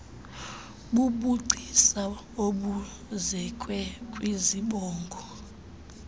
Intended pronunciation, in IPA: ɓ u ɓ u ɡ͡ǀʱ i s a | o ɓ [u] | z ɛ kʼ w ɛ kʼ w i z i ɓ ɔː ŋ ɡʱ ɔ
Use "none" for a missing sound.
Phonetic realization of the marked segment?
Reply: u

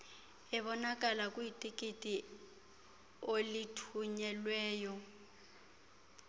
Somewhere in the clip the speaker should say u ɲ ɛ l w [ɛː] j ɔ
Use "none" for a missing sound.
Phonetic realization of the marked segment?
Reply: ɛː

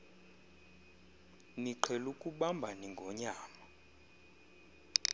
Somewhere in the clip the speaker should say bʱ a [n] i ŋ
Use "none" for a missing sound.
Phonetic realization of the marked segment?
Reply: n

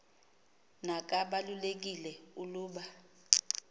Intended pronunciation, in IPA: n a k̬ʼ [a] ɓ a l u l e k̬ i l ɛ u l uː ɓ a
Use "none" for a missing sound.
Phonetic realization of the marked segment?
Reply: a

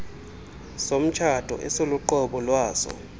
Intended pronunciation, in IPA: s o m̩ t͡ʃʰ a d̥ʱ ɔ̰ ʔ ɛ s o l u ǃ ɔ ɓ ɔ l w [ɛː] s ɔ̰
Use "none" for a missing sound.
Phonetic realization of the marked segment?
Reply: aː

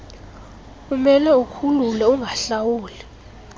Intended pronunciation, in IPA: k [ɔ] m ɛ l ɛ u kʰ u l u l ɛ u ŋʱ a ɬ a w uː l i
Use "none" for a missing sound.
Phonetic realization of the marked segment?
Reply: u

